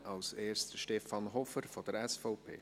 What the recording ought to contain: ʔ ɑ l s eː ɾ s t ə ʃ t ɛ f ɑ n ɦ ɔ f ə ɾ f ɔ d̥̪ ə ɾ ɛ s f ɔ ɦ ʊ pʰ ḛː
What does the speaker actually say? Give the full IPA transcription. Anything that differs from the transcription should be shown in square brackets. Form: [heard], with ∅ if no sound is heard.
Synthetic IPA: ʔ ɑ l s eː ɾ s t ə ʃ t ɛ f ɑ n ɦ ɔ f ə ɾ f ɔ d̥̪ ə ɾ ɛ s f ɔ [∅] ʊ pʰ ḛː